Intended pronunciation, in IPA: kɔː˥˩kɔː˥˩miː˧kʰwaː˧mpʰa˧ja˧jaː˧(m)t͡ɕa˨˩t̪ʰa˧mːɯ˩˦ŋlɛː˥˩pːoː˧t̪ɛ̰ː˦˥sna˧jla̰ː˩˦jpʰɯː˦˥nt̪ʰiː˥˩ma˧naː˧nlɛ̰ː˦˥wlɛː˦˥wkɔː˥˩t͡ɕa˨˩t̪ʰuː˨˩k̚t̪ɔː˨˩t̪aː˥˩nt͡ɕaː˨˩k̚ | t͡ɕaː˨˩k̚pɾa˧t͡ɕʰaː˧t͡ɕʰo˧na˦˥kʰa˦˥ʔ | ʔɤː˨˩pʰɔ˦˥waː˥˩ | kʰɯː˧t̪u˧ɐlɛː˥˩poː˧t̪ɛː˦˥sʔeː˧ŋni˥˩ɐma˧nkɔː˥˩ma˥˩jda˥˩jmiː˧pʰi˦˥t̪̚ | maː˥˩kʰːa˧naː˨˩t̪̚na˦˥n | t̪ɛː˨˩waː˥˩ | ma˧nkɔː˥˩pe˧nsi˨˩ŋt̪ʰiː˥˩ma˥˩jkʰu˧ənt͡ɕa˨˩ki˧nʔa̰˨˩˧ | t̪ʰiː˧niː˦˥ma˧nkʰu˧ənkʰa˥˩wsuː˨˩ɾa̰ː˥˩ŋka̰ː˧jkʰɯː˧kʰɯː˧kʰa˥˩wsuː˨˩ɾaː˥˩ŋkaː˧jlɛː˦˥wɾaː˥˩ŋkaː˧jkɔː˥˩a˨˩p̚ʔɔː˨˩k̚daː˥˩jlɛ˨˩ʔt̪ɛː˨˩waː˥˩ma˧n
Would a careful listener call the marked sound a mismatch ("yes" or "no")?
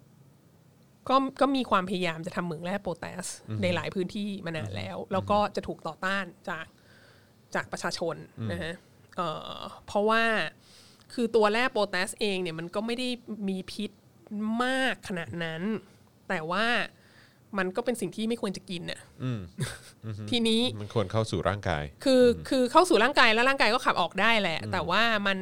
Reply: no